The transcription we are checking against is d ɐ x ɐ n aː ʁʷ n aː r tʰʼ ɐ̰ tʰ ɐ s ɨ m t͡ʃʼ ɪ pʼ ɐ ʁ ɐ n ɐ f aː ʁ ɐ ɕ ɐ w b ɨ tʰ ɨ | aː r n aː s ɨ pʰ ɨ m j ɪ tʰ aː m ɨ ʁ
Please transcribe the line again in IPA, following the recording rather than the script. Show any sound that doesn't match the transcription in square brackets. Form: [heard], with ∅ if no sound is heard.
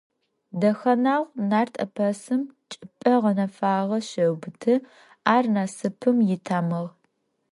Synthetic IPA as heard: d ɐ x ɐ n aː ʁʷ n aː r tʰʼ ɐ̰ [pʰ] ɐ s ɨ m t͡ʃʼ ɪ pʼ ɐ ʁ ɐ n ɐ f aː ʁ ɐ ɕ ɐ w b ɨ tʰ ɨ | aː r n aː s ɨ pʰ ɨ m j ɪ tʰ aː m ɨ ʁ